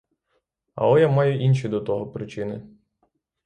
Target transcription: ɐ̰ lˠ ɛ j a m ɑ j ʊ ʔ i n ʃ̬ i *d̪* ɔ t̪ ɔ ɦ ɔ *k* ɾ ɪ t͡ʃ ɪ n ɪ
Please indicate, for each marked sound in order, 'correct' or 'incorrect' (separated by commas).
correct, incorrect